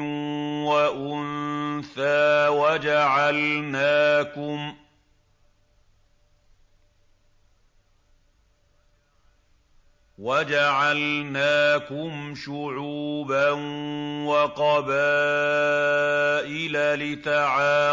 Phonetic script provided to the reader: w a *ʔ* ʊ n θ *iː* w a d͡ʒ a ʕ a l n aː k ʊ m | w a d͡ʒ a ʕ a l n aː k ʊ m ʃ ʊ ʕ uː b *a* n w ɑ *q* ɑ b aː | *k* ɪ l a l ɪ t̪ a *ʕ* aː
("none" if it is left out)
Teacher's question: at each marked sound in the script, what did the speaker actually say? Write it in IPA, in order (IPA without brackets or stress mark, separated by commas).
ʔ, aː, a, q, ʔ, ʕ